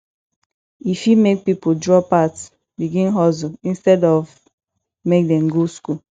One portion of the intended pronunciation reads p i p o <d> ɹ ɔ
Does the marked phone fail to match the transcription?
no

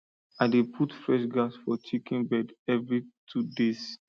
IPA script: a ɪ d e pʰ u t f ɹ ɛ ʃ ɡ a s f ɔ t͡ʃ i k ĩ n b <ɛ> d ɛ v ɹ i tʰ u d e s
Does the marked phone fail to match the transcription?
no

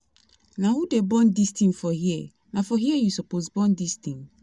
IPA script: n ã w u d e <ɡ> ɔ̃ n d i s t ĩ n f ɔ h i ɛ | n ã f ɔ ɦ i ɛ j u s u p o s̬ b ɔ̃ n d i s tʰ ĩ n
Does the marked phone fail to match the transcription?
yes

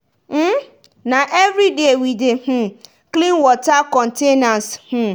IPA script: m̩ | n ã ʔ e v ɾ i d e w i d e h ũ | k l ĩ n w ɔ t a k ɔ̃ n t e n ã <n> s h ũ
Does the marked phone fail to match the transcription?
no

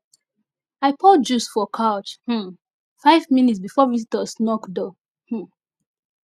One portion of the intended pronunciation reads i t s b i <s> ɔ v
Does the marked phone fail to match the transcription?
yes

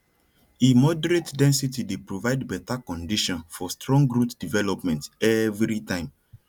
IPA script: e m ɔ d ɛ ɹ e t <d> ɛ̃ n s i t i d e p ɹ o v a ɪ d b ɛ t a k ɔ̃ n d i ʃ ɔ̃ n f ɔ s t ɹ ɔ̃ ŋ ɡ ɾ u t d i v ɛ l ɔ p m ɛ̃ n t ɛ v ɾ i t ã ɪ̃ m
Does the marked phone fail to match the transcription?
no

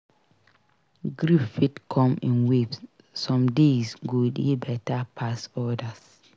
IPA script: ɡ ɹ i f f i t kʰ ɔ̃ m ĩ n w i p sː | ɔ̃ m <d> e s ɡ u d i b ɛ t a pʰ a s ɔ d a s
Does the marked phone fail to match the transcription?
no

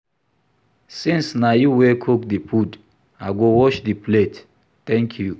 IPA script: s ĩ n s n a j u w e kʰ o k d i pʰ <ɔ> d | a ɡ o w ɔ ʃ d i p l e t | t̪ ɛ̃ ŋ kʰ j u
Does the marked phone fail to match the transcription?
yes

